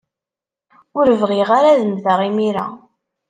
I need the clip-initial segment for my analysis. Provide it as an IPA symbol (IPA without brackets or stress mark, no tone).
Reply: ʊ